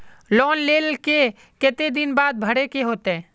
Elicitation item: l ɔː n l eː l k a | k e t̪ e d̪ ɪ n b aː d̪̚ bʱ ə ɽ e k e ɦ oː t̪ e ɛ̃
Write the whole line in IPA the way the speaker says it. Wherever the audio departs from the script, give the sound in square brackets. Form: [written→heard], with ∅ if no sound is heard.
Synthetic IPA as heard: l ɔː n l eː l k [a→e] | k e t̪ e d̪ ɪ n b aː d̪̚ bʱ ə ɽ e k e ɦ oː t̪ e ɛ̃